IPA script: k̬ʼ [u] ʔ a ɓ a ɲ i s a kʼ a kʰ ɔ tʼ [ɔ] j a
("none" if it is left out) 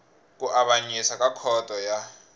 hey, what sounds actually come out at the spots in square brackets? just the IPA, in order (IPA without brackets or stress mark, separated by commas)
u, ɔ